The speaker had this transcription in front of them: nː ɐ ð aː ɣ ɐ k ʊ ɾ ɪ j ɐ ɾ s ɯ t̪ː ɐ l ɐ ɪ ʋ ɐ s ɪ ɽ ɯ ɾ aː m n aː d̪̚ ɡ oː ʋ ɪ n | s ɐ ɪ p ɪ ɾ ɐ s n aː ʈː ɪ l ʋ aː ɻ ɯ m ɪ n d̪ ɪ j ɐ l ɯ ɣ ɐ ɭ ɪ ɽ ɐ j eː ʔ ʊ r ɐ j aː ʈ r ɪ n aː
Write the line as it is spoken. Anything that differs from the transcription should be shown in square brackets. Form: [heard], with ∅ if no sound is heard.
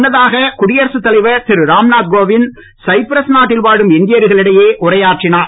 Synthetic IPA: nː ɐ ð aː ɣ ɐ k ʊ [ɽ] ɪ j ɐ ɾ s ɯ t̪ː ɐ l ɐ ɪ ʋ ɐ s ɪ [ɾ] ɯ ɾ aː m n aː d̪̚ ɡ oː ʋ ɪ n | s ɐ ɪ p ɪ ɾ ɐ s n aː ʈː ɪ l ʋ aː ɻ ɯ m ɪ n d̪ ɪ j ɐ [ɾ] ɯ ɣ ɐ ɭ ɪ ɽ ɐ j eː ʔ ʊ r ɐ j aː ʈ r ɪ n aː